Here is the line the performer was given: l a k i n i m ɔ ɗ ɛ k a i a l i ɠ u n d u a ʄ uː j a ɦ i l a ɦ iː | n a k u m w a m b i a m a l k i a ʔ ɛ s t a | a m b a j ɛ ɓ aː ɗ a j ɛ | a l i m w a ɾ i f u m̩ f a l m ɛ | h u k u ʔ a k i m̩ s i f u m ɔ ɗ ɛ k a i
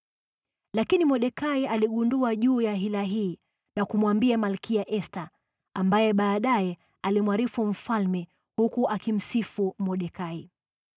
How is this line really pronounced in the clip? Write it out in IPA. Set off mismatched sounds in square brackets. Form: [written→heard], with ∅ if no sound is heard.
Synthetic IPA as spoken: l a k i n i m ɔ ɗ ɛ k a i a l i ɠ u n d u a ʄ uː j a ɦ i l a ɦ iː | n a k u m w a m b i a m a l k i a ʔ ɛ s t a | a m b a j ɛ ɓ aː ɗ a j ɛ | a l i m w a ɾ i f u m̩ f a l m ɛ | h u k u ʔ a k i m̩ s i f u m ɔ ɗ ɛ k a i